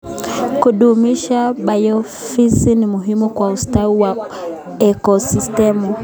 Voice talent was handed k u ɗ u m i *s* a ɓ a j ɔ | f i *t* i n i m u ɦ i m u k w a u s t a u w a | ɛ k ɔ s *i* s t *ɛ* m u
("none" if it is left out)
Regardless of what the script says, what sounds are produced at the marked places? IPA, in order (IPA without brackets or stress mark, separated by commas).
ʃ, s, i, ɛ